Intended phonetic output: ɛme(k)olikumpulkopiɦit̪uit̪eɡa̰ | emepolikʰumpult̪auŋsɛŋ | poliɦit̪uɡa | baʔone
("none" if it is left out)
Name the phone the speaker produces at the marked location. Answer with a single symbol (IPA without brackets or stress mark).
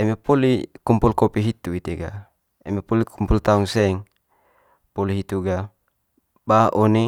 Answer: p